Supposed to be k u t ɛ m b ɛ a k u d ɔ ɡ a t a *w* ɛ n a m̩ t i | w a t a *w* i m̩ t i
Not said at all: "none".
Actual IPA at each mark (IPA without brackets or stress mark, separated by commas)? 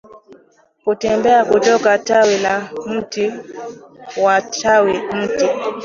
w, w